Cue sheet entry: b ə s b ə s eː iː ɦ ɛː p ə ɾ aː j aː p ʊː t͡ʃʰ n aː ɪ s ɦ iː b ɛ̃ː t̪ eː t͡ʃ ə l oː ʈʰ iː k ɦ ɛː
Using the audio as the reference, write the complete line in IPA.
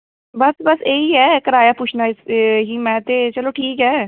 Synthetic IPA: b ə s b ə s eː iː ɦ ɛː k ə ɾ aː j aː p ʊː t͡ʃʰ n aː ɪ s ɦ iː m ɛ̃ː t̪ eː t͡ʃ ə l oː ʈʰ iː k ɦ ɛː